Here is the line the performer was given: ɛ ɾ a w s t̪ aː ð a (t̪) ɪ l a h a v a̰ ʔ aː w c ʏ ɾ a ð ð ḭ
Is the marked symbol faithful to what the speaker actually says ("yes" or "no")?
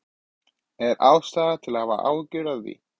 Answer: no